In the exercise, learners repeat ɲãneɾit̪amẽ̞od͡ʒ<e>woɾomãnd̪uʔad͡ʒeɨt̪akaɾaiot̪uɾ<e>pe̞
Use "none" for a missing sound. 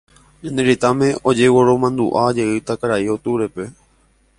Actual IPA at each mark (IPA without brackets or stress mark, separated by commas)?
e, e